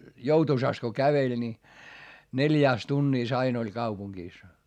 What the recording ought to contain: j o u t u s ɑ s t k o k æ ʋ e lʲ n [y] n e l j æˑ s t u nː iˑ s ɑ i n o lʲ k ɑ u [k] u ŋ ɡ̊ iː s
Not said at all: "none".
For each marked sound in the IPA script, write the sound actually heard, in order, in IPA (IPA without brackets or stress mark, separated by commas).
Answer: i, p